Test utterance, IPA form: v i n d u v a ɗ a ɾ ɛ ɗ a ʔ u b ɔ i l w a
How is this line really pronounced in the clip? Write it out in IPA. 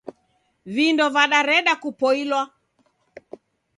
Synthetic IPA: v i n d ɔ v a ɗ a ɾ ɛ ɗ a k u p ɔ i l w a

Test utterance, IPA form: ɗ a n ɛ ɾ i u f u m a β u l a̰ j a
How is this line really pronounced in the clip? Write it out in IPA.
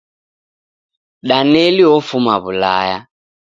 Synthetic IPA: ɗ a n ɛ l i ɔ f u m a β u l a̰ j a

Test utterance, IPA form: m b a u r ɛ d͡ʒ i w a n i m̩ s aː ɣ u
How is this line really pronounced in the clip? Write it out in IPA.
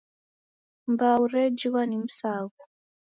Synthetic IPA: m b a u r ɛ d͡ʒ i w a n i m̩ s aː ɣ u

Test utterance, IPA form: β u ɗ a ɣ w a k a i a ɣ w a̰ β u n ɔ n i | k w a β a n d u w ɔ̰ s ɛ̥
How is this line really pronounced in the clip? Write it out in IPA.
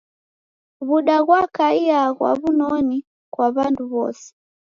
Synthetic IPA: β u ɗ a ɣ w a k a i a ɣ w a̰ β u n ɔ n i | k w a β a n d u β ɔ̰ s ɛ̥

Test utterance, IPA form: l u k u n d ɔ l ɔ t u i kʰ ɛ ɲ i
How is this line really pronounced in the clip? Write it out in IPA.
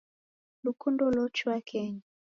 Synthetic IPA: l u k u n d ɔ l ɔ t͡ʃ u a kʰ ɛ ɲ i

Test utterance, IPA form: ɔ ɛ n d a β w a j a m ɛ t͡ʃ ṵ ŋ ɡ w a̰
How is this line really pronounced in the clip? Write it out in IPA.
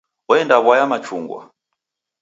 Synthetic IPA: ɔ ɛ n d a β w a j a m a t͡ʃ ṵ ŋ ɡ w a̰

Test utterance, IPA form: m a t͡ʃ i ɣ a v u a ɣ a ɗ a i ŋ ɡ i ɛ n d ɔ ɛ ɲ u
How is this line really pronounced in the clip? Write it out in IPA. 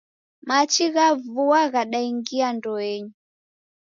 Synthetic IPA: m a t͡ʃ i ɣ a v u a ɣ a ɗ a i ŋ ɡ i a n d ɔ ɛ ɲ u

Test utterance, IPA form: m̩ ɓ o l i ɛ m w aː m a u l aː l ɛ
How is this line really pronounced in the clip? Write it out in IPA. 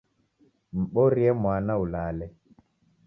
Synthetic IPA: m̩ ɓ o ɾ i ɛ m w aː n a u l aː l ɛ

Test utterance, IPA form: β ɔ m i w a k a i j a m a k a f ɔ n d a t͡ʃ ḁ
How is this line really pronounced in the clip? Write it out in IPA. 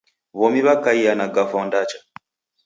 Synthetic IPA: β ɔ m i β a k a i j a n a ɡ a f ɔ n d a t͡ʃ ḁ

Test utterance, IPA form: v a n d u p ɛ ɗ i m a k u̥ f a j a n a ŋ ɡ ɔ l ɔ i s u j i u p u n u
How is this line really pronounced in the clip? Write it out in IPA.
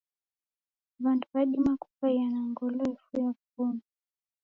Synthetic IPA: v a n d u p a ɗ i m a k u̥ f a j a n a ŋ ɡ ɔ l ɔ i f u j a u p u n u

